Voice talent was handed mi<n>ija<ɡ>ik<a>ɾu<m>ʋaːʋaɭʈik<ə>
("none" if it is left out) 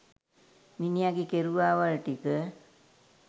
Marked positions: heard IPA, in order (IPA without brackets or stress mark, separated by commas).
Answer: n, ɡ, e, none, ə